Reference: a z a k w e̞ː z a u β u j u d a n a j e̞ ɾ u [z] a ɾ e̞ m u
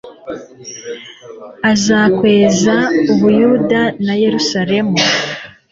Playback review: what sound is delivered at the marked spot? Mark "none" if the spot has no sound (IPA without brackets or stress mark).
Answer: s